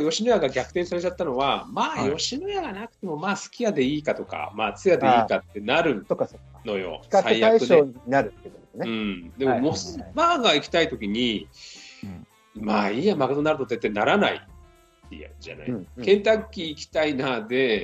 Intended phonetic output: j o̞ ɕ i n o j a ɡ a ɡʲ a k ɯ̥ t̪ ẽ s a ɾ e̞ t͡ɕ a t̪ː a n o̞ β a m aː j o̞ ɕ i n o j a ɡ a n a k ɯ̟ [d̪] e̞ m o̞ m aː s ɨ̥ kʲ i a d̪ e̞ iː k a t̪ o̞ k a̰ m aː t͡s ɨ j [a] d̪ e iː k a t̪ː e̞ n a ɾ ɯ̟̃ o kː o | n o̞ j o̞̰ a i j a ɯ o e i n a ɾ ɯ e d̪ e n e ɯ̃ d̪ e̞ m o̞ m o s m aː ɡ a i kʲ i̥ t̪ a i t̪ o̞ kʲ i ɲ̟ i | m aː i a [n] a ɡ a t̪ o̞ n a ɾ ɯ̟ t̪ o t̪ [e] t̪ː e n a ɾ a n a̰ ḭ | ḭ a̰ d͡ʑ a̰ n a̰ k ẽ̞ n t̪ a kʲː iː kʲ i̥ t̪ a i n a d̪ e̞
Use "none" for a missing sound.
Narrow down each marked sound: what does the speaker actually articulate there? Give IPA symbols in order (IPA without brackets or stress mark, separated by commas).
t̪, a, m, e